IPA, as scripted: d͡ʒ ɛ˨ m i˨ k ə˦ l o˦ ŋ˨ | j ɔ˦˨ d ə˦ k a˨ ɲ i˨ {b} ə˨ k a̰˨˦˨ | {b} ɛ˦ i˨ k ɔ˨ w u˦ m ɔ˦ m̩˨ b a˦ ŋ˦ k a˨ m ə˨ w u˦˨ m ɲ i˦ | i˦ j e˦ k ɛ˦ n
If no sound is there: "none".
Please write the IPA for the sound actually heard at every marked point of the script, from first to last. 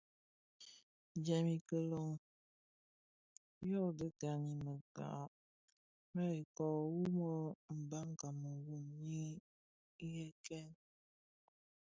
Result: m, m

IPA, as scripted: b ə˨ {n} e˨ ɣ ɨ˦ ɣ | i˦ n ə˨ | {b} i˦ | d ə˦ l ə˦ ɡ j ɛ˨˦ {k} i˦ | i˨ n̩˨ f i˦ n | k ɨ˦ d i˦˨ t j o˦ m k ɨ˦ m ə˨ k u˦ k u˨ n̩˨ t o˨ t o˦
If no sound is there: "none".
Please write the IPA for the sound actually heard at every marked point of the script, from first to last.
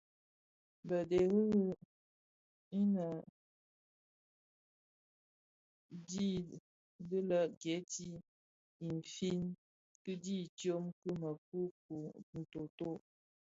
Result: d, d, t

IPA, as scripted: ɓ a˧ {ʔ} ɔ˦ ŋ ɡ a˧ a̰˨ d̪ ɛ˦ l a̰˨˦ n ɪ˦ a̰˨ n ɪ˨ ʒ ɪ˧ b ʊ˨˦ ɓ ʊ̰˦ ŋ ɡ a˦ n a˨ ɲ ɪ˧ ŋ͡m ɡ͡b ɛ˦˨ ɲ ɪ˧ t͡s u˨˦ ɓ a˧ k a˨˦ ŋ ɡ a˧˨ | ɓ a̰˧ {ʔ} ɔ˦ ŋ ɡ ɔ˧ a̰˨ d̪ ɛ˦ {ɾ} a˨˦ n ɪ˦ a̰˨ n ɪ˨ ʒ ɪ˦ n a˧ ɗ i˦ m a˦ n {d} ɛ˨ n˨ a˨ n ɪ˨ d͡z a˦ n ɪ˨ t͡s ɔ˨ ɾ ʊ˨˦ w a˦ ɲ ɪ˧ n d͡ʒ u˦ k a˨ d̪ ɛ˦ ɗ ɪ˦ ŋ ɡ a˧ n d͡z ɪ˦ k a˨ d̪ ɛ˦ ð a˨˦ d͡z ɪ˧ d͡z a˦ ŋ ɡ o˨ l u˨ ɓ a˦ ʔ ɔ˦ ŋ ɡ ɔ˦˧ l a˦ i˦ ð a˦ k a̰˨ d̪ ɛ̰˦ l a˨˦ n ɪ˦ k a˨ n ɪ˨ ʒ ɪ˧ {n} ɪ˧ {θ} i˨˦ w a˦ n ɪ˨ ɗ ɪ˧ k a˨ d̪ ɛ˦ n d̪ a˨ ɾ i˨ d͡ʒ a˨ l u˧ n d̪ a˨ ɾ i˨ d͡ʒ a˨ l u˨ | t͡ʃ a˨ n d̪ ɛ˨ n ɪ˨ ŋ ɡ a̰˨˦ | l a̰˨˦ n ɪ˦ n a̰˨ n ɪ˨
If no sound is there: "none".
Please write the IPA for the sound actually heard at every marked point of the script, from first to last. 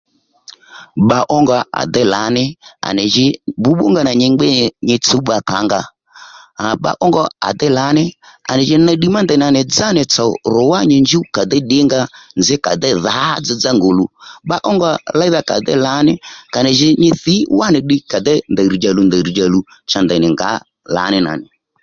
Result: ʔ, ʔ, l, d, ɲ, θ

